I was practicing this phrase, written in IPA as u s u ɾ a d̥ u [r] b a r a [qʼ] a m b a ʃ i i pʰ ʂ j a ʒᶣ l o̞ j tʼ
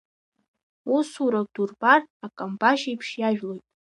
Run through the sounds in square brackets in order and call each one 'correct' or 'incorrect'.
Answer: correct, incorrect

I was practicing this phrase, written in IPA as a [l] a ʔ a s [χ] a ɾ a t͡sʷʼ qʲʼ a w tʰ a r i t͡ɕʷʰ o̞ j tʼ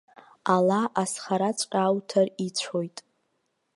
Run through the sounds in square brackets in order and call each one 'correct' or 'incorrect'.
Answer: correct, correct

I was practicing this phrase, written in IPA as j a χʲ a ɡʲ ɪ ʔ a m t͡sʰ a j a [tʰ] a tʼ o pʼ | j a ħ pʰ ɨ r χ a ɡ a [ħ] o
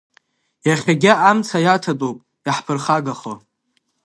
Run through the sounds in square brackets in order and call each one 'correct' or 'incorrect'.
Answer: correct, incorrect

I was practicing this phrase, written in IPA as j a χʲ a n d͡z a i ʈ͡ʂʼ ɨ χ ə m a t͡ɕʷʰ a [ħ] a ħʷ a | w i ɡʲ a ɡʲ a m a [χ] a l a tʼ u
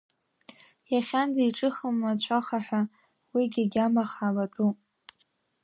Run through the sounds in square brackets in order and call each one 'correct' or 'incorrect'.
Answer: incorrect, correct

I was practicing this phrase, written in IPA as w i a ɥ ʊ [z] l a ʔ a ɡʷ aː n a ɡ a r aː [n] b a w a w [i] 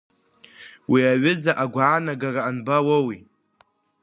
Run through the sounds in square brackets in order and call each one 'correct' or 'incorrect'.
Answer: correct, correct, correct

